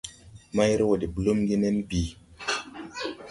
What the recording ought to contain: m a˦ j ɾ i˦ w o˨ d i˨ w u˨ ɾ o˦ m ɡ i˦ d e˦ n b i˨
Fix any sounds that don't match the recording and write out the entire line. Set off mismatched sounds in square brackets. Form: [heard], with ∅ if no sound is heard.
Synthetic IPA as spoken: m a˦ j ɾ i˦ w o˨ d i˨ [b] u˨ [l] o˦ m ɡ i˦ [n] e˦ n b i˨